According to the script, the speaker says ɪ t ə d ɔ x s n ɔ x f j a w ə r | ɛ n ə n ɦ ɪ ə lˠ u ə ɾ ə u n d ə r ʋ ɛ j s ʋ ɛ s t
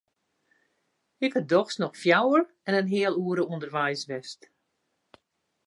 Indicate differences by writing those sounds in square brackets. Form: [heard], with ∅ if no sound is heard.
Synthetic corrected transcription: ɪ [k] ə d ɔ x s n ɔ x f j a w ə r | ɛ n ə n ɦ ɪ ə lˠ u ə ɾ ə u n d ə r ʋ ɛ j s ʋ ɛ s t

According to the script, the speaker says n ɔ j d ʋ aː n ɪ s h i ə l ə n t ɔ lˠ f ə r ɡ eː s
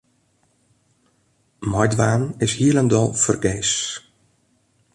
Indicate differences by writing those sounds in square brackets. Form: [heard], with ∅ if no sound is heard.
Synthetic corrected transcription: [m] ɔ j d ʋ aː n ɪ s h i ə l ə n [d] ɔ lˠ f ə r ɡ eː s

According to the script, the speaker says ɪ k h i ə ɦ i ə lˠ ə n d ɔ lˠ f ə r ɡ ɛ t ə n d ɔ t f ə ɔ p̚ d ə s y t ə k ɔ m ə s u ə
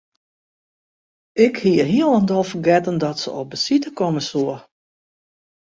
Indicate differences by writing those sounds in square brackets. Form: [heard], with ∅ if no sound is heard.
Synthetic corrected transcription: ɪ k h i ə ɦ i ə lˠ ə n d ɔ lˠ f ə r ɡ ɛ t ə n d ɔ t [s] ə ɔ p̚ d ə s [i] t ə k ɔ m ə s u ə

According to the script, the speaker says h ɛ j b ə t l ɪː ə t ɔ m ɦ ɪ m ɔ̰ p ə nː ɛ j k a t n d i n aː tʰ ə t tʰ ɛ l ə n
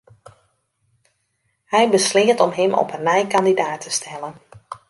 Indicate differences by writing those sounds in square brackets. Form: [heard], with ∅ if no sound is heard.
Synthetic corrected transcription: h ɛ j b ə [s] l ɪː ə t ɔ m ɦ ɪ m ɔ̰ p ə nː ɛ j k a [∅] n d i [d] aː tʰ ə [s] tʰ ɛ l ə n

